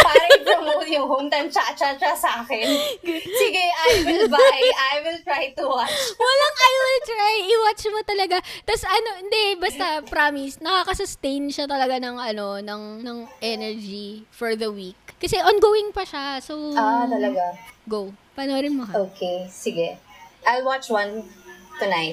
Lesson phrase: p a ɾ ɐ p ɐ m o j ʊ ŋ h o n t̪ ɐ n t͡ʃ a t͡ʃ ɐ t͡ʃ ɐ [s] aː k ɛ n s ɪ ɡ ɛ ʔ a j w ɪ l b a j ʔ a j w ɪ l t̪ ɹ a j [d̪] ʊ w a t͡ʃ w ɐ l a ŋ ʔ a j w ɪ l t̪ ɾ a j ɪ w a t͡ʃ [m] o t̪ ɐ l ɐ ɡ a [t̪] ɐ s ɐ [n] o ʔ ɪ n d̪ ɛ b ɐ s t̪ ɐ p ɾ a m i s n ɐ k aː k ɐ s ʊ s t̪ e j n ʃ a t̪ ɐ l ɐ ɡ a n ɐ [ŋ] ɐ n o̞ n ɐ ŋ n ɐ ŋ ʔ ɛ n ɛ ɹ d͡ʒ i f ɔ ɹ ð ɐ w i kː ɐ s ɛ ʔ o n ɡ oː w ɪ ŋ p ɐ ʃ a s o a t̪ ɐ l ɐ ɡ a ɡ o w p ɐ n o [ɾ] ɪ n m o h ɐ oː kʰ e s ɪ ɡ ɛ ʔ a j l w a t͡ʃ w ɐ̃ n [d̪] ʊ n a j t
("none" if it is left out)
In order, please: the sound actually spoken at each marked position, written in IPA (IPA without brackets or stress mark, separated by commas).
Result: s, t̪, m, t̪, n, ŋ, ɾ, t̪